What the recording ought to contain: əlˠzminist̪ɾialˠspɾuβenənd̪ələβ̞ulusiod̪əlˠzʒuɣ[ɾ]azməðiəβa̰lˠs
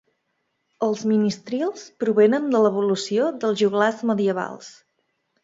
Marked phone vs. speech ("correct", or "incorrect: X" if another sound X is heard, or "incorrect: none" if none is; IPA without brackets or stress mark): incorrect: l